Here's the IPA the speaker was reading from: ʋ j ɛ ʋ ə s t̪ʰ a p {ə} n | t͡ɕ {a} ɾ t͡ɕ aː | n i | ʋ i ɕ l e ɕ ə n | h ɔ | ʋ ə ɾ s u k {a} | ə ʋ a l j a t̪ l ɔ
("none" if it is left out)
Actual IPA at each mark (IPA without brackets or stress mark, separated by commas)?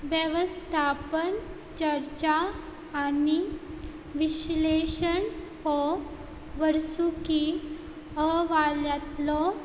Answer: ə, ə, i